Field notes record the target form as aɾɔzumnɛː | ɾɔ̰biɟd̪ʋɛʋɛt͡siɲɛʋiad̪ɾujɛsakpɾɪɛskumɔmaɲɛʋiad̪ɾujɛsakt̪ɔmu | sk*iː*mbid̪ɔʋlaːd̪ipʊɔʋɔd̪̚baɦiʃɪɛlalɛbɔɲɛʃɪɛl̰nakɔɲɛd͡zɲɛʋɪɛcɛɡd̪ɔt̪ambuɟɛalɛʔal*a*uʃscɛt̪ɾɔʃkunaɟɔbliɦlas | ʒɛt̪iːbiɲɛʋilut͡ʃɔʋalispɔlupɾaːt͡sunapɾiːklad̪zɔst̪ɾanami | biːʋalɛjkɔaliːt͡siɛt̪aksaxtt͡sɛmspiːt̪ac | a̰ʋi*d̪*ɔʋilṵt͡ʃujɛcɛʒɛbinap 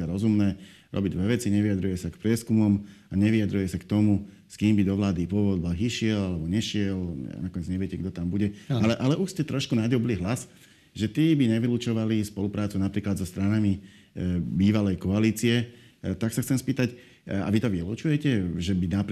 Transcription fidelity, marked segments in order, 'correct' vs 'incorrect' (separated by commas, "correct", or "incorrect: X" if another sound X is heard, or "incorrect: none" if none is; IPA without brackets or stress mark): correct, incorrect: ɛ, incorrect: t̪